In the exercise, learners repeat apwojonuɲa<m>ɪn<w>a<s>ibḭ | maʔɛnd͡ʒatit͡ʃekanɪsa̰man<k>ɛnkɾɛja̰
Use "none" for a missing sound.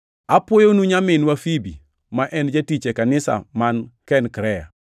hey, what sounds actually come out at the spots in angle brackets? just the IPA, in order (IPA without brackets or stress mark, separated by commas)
m, w, f, k